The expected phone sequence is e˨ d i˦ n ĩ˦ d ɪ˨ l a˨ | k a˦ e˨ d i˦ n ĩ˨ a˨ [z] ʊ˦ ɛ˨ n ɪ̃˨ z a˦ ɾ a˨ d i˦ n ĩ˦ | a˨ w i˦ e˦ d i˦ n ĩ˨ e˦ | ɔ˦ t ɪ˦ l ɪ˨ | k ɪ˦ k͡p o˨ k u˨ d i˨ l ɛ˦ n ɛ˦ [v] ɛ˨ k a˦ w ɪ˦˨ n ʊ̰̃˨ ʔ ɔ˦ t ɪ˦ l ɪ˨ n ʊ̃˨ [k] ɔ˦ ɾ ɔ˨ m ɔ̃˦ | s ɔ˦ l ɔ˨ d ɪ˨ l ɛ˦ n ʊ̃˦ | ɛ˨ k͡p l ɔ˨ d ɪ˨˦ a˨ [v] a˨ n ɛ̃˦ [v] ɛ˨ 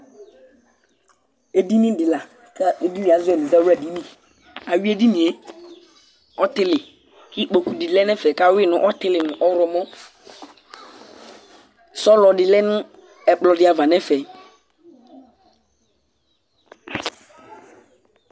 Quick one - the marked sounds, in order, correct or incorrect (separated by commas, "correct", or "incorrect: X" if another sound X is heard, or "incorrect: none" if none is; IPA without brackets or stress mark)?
correct, incorrect: f, incorrect: ʔ, correct, incorrect: f